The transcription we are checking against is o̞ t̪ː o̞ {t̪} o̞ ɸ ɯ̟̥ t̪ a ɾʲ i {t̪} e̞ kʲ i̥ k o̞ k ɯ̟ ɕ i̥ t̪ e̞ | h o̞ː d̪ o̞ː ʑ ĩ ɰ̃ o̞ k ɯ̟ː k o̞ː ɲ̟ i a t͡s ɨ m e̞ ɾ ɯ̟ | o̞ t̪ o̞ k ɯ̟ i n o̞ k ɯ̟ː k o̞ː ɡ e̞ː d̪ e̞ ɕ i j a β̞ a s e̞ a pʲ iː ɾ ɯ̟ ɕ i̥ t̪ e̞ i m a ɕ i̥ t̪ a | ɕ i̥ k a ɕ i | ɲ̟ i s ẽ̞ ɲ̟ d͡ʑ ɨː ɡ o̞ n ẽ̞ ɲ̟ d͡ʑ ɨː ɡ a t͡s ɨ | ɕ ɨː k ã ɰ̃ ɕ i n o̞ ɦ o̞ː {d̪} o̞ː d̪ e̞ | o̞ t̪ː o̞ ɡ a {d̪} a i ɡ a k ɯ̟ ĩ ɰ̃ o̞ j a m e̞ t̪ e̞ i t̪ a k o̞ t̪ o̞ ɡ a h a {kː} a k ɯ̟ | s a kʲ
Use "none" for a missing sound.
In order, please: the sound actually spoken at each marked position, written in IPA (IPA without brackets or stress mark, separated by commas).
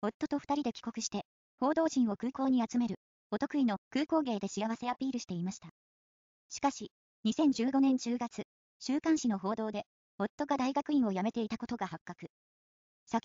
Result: t̪, d̪, d̪, d̪, kː